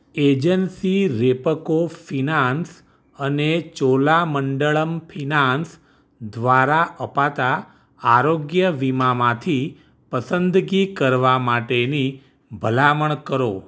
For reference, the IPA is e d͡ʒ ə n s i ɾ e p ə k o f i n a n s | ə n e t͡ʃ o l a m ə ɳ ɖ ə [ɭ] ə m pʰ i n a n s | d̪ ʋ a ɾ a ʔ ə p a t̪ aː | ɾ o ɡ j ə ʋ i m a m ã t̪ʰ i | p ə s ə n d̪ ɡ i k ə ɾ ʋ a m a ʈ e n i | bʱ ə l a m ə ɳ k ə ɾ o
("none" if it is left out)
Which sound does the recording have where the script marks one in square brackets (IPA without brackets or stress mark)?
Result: ɭ